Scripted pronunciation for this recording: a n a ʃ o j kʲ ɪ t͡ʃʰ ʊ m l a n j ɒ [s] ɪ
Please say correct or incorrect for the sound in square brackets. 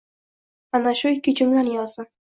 incorrect